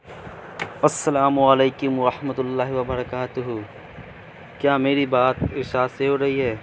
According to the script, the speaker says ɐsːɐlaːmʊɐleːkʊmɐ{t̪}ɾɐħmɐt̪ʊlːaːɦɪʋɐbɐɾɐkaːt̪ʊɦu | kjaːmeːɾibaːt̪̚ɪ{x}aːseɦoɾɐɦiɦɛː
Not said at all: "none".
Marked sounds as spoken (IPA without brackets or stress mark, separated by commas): none, ʃ